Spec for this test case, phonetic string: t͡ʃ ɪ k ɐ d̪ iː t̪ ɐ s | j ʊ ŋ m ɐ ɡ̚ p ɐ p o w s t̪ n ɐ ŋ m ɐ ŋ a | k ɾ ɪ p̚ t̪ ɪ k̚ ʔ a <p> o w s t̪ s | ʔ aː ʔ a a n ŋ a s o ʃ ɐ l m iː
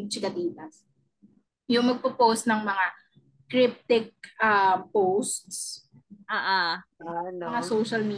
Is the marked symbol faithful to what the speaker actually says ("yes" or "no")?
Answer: yes